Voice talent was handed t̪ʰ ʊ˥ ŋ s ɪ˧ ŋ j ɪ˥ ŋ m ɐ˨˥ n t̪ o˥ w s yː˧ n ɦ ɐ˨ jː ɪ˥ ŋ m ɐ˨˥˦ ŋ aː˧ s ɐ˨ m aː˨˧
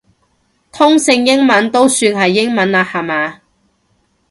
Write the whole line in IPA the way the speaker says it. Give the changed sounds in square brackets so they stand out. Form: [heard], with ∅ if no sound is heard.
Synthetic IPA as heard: t̪ʰ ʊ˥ ŋ s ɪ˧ ŋ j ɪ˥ ŋ m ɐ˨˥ n t̪ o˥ w s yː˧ n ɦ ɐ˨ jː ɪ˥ ŋ m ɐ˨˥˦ [n] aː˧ [h] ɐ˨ m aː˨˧